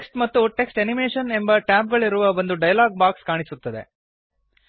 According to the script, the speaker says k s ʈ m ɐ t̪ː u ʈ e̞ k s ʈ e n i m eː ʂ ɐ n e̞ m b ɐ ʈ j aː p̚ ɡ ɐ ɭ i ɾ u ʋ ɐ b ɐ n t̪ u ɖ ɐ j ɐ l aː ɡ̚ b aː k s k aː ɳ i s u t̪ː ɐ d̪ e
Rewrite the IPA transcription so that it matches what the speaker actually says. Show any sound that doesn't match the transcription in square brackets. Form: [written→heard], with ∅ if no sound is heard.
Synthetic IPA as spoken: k s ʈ m ɐ t̪ː u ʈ e̞ k s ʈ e n i m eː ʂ ɐ n e̞ m b ɐ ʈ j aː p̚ ɡ ɐ ɭ i ɾ u ʋ ɐ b ɐ n [t̪→d̪] u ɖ ɐ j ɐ l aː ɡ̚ b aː k s k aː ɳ i s u t̪ː ɐ d̪ e